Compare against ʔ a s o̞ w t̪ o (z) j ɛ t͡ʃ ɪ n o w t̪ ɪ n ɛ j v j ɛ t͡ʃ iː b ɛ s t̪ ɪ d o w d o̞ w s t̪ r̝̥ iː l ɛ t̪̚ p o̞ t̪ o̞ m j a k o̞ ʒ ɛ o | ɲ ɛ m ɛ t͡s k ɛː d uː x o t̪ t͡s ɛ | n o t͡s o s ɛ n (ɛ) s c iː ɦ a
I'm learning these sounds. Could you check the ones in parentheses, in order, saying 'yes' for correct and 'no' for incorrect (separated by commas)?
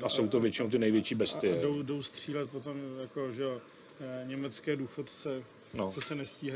no, yes